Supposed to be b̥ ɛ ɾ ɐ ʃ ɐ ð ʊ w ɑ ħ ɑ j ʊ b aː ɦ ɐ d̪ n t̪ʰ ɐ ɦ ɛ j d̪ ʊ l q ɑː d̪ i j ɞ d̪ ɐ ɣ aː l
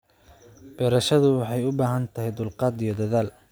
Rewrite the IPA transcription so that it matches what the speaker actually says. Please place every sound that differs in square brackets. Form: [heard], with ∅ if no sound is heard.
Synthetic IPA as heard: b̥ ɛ ɾ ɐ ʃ ɐ ð ʊ w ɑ ħ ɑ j ʊ b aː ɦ ɐ [∅] n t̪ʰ ɐ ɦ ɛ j d̪ ʊ l q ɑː d̪ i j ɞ d̪ ɐ [ð] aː l